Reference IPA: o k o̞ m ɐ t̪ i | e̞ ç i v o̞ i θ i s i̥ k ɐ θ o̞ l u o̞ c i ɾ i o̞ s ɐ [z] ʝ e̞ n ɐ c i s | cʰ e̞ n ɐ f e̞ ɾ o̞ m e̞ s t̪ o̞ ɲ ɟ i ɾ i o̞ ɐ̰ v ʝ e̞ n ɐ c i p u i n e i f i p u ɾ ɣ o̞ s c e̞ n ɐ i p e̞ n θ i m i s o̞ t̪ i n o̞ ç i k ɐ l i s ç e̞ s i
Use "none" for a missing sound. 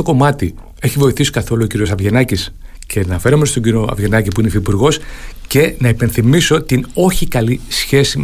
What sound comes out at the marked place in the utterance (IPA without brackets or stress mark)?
v